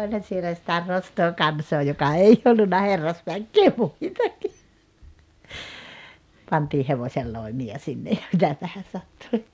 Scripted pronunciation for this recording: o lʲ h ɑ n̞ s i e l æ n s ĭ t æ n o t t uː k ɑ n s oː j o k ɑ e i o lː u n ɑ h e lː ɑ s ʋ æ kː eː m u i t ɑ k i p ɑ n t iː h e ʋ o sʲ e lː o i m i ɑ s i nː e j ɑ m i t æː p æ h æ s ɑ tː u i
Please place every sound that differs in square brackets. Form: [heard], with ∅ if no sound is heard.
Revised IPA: o lʲ h ɑ n̞ s i e l æ [∅] s ĭ t æ n o [s] t [oː] k ɑ n s oː j o k ɑ e i o lː u [nː] ɑ h e [rː] ɑ s ʋ æ kː eː m u i t ɑ k i p ɑ n t iː h e ʋ o sʲ e lː o i m i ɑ s i nː e j ɑ m i t [æ] p æ h æ s ɑ tː u i